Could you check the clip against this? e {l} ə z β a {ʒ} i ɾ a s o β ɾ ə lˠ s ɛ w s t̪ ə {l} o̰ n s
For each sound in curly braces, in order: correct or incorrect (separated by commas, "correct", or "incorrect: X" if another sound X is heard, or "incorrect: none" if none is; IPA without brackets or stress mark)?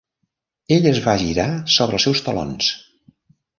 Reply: incorrect: ʎ, correct, correct